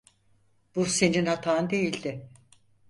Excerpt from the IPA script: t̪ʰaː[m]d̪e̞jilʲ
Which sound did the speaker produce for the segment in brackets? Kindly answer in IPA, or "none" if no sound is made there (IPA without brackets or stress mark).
n